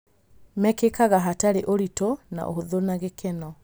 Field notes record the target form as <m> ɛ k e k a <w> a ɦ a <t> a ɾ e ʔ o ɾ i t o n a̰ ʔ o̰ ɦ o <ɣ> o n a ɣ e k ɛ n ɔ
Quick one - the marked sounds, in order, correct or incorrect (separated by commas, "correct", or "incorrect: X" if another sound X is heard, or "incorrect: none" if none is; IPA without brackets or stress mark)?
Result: correct, incorrect: ɣ, correct, incorrect: ð